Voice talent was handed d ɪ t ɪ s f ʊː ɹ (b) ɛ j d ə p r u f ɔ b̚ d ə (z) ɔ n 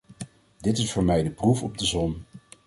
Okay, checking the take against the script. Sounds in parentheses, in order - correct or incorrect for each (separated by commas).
incorrect, correct